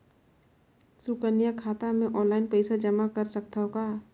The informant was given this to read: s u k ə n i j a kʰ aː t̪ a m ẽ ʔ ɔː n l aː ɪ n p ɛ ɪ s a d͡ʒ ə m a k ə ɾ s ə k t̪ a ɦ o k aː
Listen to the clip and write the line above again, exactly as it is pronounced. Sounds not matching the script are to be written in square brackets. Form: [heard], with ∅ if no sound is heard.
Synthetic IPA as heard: s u k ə n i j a kʰ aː t̪ a m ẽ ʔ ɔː n l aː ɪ n p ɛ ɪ s a d͡ʒ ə m a k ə ɾ s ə k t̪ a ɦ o k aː

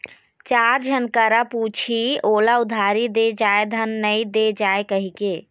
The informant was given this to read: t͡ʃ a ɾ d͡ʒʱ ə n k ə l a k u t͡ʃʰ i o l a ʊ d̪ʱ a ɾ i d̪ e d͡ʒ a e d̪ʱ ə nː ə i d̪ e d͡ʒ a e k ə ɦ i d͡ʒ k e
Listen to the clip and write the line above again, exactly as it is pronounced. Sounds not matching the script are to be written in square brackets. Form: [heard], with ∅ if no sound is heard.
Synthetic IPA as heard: t͡ʃ a ɾ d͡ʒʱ ə n k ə [ɾ] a [p] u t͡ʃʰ i o l a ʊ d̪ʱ a ɾ i d̪ e d͡ʒ a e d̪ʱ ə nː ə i d̪ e d͡ʒ a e k ə ɦ i [∅] k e

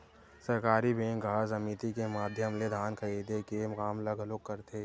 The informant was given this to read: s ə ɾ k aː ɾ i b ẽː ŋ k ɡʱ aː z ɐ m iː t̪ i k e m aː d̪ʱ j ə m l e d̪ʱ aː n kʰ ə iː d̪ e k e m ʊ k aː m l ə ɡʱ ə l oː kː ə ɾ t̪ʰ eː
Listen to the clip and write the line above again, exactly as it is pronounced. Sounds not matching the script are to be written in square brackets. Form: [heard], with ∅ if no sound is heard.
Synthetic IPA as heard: s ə ɾ k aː ɾ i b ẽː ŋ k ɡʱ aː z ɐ m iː t̪ i k e m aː d̪ʱ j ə m l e d̪ʱ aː n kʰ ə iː d̪ e k e m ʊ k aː m l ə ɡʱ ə l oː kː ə ɾ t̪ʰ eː

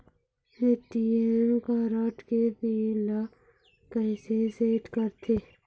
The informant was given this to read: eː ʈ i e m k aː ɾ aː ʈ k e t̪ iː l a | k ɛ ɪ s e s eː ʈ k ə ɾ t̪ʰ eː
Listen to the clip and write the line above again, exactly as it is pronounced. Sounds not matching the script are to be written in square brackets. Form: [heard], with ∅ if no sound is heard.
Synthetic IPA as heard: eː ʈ i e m k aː ɾ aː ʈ k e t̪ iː l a | k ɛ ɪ s e s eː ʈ k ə ɾ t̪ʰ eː

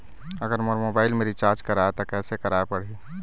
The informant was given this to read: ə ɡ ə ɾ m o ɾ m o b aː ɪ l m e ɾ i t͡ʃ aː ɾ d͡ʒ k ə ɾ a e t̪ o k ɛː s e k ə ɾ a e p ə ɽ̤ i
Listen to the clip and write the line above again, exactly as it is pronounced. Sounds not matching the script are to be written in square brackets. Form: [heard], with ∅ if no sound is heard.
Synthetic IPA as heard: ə ɡ ə ɾ m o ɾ m o b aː ɪ l m e ɾ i t͡ʃ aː ɾ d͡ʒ k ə ɾ a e t̪ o k ɛː s e k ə ɾ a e p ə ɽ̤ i

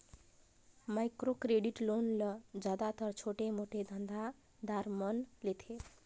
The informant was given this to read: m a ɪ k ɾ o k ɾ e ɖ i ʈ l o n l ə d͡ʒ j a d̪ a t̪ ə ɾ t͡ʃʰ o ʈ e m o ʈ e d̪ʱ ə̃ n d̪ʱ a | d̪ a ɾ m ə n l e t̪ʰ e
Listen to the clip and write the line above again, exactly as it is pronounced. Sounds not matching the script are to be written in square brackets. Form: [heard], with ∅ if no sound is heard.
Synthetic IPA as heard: m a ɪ k ɾ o k ɾ e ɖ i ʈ l o n l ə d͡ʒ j a d̪ a t̪ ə ɾ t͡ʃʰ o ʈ e m o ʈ e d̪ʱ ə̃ n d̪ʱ a | d̪ a ɾ m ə n l e t̪ʰ e

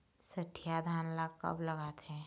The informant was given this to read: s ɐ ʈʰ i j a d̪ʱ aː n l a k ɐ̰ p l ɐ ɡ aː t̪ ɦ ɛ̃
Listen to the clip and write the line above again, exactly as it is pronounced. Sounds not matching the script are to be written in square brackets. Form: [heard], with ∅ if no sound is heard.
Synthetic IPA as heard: s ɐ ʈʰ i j a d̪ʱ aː n l a k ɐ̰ [b] l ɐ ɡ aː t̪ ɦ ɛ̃

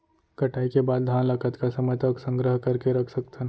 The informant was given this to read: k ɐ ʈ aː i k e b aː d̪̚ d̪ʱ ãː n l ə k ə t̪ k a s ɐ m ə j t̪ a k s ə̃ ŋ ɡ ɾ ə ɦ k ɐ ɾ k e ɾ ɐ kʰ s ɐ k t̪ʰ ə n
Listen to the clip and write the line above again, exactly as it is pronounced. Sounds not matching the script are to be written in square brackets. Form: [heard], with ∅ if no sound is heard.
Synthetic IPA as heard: k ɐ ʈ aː i k e b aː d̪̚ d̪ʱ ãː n l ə k ə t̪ k a s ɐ m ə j t̪ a k s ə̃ ŋ ɡ ɾ ə ɦ k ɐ ɾ k e ɾ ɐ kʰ s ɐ k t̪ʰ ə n

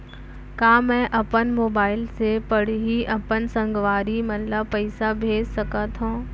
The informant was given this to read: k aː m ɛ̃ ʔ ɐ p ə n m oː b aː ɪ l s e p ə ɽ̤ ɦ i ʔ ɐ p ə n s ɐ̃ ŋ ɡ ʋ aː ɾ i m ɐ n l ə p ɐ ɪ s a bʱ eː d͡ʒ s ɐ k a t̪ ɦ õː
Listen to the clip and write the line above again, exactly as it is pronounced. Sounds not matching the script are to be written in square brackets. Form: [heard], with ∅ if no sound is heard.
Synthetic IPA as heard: k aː m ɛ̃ ʔ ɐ p ə n m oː b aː ɪ l s e p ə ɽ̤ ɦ i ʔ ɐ p ə n s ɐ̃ ŋ ɡ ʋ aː ɾ i m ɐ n l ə p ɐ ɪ s a bʱ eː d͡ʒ s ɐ k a t̪ ɦ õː

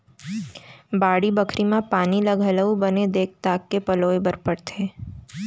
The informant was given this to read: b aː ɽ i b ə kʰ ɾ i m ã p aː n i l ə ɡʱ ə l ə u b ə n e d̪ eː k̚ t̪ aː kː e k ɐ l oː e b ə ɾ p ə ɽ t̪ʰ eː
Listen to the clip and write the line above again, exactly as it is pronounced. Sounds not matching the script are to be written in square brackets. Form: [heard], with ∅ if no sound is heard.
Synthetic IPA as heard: b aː ɽ i b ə kʰ ɾ i m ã p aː n i l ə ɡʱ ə l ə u b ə n e d̪ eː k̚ t̪ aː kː e [p] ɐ l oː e b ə ɾ p ə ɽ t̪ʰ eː

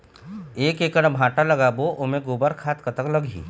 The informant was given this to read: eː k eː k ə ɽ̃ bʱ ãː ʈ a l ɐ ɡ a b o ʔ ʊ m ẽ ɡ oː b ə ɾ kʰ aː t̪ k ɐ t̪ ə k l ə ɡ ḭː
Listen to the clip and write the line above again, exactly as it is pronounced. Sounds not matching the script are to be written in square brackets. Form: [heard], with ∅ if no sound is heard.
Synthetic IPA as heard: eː k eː k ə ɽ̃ bʱ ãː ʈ a l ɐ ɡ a b o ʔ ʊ m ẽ ɡ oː b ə ɾ kʰ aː t̪ k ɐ t̪ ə k l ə ɡ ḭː

